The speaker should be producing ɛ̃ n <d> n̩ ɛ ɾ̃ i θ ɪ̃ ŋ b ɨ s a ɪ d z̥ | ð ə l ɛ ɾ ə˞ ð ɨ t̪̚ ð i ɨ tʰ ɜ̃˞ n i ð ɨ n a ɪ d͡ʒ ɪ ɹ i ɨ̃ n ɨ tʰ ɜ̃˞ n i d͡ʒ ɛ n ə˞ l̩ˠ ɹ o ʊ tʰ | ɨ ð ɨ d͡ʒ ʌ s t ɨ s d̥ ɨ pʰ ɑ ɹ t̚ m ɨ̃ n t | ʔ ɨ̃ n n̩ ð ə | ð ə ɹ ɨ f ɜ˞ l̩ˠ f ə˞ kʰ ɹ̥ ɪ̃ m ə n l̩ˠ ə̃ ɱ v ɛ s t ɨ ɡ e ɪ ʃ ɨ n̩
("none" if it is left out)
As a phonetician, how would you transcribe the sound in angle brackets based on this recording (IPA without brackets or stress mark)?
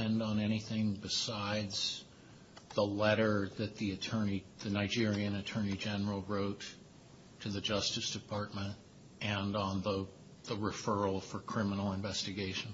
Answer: d